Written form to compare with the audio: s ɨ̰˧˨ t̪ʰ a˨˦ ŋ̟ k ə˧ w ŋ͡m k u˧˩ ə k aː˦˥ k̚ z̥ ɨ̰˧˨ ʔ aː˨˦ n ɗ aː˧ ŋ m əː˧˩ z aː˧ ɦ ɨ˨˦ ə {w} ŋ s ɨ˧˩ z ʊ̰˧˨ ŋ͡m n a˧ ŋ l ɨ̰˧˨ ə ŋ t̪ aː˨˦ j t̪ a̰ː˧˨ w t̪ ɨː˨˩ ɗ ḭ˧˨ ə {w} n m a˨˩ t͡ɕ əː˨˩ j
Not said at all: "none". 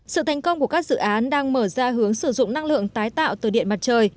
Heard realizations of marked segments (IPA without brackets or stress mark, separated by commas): none, none